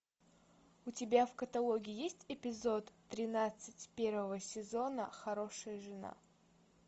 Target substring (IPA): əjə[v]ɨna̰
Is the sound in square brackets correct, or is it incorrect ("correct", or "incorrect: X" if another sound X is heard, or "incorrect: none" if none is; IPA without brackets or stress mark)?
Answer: incorrect: ʐ